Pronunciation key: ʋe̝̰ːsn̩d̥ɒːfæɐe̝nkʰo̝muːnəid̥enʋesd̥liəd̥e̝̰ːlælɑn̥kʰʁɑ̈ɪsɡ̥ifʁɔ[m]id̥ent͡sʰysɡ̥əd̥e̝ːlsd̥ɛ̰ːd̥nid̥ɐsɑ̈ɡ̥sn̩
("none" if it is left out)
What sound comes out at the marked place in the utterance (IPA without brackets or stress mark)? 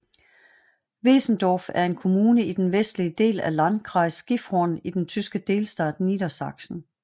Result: n